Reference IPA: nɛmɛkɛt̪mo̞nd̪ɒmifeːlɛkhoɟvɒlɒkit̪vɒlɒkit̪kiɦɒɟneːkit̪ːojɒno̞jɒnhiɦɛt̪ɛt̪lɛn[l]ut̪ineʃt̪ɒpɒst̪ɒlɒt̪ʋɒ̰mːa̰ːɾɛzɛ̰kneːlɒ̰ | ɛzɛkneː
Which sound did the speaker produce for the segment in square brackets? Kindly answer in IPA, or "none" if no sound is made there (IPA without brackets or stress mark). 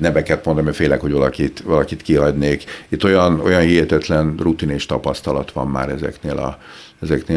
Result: r